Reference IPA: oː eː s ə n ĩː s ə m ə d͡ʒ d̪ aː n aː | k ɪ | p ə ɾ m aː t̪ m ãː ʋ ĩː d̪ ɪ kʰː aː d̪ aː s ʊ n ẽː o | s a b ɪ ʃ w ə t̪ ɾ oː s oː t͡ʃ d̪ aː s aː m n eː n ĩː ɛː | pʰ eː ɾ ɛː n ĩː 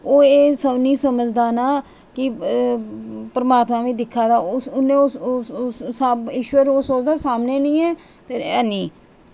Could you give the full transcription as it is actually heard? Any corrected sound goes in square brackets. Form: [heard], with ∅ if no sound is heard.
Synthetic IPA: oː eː s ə n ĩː s ə m ə d͡ʒ d̪ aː n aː | k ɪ | p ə ɾ m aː t̪ m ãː ʋ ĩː d̪ ɪ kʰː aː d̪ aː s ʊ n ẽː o | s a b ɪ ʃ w ə [∅] ɾ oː s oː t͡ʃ d̪ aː s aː m n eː n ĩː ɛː | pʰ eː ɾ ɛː n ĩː